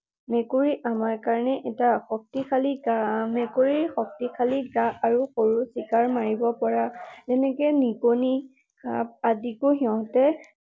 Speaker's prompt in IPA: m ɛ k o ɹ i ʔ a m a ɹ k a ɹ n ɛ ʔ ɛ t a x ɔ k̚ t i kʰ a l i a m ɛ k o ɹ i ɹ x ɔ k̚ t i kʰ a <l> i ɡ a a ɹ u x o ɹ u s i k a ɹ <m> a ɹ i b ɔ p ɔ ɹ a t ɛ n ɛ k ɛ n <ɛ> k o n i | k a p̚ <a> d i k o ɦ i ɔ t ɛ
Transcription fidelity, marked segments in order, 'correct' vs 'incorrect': correct, correct, incorrect: i, correct

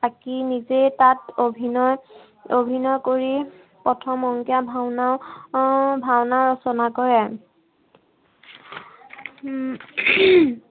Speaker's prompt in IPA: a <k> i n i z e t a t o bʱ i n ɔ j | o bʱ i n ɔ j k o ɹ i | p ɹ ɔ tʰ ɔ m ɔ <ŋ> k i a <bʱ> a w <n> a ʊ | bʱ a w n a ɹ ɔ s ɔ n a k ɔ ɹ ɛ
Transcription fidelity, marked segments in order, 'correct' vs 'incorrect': correct, correct, correct, correct

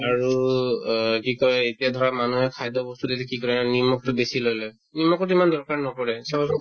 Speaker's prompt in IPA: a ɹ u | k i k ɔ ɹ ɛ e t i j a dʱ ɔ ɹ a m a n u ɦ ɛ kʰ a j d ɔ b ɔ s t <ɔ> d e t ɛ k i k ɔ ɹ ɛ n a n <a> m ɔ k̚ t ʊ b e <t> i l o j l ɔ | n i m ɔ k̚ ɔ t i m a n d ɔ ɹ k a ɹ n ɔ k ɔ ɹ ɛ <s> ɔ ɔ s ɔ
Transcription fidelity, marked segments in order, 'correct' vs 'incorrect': incorrect: u, incorrect: i, incorrect: s, correct

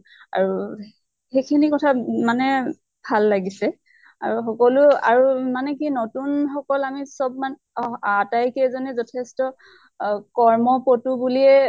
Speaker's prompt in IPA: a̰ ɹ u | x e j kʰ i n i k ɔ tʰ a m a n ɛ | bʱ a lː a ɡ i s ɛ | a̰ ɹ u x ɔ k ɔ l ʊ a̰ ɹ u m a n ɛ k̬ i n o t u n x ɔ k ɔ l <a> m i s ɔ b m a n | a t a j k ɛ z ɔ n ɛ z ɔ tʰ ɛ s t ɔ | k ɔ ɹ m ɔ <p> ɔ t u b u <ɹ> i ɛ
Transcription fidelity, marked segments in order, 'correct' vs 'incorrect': correct, correct, incorrect: l

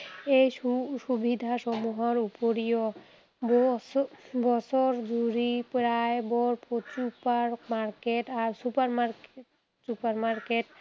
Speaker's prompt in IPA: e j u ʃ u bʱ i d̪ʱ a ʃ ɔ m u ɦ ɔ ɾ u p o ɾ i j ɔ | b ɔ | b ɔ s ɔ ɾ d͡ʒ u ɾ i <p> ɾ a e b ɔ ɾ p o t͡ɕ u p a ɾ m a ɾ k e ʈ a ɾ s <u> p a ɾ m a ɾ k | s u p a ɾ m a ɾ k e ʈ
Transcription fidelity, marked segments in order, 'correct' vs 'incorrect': correct, correct

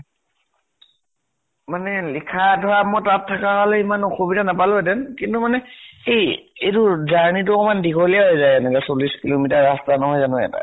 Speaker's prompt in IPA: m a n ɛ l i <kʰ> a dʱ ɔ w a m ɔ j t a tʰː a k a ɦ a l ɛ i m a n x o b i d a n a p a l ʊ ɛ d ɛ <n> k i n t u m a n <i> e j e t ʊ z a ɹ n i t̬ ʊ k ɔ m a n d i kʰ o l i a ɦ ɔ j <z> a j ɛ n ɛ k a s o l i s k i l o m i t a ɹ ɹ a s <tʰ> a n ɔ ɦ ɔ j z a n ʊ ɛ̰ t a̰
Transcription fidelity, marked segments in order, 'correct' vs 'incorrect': correct, correct, incorrect: ɛ, correct, incorrect: t

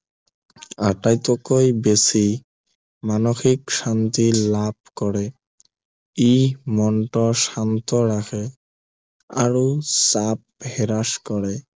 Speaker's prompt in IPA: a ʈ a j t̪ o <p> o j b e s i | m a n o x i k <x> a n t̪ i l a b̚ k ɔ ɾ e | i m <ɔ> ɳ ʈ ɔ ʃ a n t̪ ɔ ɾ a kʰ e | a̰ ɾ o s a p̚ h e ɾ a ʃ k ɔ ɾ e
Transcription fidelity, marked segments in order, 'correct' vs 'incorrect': incorrect: k, incorrect: ʃ, correct

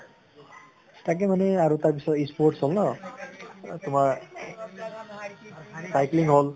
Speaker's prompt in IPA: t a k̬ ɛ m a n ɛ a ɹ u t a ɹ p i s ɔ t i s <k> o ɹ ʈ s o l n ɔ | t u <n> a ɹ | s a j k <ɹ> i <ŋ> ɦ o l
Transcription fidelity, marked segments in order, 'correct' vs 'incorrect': incorrect: p, incorrect: m, incorrect: l, correct

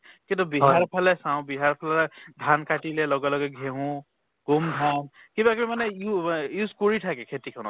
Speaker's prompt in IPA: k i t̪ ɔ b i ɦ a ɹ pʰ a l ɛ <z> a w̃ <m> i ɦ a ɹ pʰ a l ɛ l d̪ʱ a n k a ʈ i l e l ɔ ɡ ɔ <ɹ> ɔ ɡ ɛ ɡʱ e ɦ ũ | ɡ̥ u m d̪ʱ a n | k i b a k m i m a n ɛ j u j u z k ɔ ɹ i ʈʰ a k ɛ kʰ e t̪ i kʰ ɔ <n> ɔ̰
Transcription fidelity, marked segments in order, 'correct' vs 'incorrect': incorrect: s, incorrect: b, incorrect: l, correct

